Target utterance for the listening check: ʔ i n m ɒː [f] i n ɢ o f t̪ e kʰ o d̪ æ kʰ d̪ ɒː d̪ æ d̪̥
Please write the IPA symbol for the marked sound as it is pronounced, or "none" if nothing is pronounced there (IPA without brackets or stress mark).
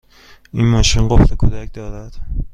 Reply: ʃ